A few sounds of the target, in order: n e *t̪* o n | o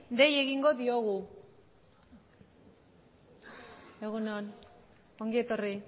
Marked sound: incorrect: none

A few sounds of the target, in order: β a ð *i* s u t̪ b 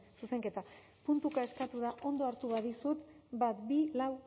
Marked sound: correct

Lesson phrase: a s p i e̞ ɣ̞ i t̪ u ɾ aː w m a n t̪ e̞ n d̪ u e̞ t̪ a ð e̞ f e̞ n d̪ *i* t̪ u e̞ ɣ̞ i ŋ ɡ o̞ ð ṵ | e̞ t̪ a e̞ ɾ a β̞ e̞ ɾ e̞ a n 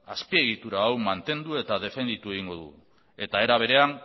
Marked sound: correct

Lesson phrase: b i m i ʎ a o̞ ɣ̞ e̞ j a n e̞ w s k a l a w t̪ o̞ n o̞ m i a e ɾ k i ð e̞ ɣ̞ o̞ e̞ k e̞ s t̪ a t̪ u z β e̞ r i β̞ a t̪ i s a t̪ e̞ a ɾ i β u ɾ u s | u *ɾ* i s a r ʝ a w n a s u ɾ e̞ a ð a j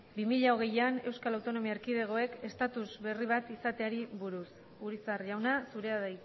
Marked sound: correct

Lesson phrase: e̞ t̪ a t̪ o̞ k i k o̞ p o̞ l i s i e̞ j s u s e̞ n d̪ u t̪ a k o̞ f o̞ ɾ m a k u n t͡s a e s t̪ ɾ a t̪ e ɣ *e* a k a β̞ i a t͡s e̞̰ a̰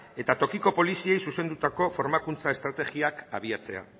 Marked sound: incorrect: i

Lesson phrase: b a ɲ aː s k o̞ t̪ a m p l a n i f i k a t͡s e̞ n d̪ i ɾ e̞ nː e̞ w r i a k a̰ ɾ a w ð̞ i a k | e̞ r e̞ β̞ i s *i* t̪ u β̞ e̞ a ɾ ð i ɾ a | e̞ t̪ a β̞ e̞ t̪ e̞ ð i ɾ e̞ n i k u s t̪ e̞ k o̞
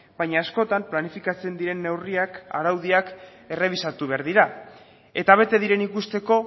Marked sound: incorrect: a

